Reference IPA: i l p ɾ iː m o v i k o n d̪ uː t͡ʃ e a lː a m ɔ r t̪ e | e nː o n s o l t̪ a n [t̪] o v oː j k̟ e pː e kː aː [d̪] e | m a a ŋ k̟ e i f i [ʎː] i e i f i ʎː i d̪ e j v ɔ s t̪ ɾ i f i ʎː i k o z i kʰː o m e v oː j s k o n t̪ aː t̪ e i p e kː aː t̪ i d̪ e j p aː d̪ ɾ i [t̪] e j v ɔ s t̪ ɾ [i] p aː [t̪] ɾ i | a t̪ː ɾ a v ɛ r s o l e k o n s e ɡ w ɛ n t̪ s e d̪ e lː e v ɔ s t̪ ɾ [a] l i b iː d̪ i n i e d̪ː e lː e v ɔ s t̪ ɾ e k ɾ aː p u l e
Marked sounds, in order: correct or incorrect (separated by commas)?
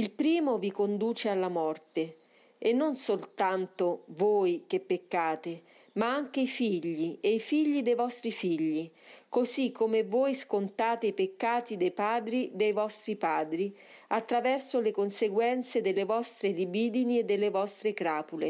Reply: correct, incorrect, correct, incorrect, correct, incorrect, incorrect